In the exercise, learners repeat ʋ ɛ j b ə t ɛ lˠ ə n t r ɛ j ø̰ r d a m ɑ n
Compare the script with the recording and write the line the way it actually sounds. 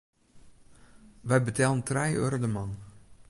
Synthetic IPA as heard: ʋ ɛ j b ə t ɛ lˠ ə n t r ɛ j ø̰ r d ə m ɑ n

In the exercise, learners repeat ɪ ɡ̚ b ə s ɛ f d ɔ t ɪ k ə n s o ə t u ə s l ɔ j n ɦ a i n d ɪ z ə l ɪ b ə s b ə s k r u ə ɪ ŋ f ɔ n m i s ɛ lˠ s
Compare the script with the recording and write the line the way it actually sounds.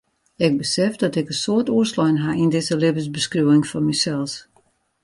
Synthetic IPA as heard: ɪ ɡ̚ b ə s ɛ f d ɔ t ɪ k ə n s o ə t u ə s l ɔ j n ɦ a i n d ɪ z ə l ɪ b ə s b ə s k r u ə ɪ ŋ f ɔ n m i s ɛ lˠ s

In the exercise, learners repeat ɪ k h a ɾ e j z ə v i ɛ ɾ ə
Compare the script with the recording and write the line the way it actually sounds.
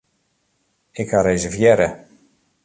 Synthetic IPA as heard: ɪ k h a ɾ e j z ə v j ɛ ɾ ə

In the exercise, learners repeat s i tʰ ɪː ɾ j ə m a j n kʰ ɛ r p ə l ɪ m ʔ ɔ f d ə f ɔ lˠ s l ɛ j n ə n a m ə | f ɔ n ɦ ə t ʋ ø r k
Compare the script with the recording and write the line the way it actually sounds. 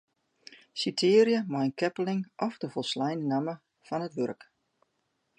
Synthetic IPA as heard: s i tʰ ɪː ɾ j ə m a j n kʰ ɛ p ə l ɪ ŋ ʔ ɔ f d ə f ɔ lˠ s l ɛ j n ə n a m ə | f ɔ n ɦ ə t ʋ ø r k

